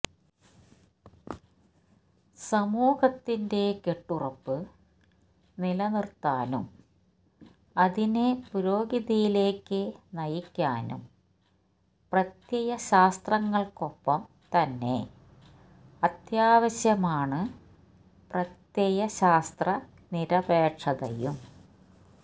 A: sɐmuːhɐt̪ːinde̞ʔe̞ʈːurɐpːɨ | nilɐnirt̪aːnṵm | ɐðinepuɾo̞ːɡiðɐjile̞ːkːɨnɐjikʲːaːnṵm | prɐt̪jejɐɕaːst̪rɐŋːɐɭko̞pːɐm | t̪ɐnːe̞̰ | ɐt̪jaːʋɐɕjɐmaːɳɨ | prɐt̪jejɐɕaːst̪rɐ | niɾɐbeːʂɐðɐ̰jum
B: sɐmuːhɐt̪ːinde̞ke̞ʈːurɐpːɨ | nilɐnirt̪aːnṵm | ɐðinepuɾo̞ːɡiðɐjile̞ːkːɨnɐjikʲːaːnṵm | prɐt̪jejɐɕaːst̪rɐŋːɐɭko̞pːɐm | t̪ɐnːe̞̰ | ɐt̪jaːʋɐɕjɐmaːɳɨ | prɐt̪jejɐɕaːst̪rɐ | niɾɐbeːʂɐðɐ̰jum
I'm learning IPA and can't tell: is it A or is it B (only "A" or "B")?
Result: B